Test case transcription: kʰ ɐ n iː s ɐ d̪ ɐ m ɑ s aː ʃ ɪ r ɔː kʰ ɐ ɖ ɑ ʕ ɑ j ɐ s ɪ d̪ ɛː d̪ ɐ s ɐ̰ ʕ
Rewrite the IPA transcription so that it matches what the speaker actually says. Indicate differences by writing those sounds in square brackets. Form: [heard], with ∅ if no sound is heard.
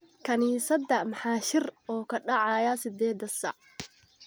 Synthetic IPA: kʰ ɐ n iː s ɐ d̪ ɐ m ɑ [ħ] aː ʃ ɪ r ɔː kʰ ɐ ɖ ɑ ʕ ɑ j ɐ s ɪ d̪ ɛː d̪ ɐ s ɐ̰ ʕ